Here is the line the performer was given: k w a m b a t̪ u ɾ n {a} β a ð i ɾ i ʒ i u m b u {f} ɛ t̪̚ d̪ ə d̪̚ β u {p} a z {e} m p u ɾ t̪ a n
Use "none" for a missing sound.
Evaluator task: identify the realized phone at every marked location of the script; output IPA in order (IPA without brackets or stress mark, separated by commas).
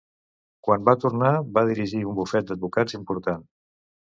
a, f, k, i